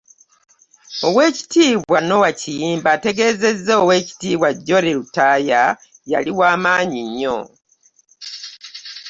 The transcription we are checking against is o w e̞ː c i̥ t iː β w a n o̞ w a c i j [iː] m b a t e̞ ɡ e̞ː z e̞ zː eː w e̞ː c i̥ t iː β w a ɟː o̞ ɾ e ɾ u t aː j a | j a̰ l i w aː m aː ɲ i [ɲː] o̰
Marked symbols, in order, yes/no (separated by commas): yes, yes